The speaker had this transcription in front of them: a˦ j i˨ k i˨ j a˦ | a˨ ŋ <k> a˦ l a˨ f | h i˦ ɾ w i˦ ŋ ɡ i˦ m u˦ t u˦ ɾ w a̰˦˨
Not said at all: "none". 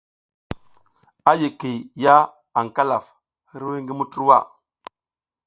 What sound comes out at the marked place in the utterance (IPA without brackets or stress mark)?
k